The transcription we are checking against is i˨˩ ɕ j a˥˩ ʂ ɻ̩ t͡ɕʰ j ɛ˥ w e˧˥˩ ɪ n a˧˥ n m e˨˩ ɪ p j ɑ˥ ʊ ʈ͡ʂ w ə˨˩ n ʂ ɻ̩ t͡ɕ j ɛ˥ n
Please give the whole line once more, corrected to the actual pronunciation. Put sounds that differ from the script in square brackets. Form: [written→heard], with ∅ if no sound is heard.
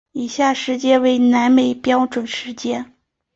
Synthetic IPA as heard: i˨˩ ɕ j a˥˩ ʂ ɻ̩ [t͡ɕʰ→t͡ɕ] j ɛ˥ w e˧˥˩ ɪ n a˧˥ n m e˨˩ ɪ p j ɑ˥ ʊ ʈ͡ʂ w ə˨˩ n ʂ ɻ̩ t͡ɕ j ɛ˥ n